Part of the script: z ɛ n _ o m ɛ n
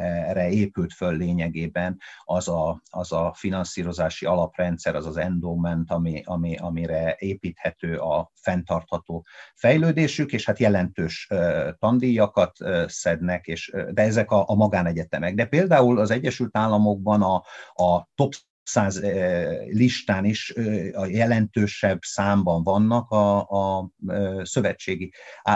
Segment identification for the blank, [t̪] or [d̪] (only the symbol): d̪